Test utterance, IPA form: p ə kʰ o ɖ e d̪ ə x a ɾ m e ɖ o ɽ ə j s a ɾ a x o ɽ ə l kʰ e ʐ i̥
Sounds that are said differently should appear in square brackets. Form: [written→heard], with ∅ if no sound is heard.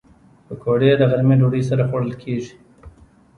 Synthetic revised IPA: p ə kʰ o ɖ e d̪ ə [x→ɣ] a ɾ m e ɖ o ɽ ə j s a ɾ a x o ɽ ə l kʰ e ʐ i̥